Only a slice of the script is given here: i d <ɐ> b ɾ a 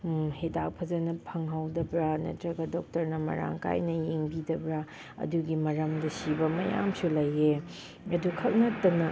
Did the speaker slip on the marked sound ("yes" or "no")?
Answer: no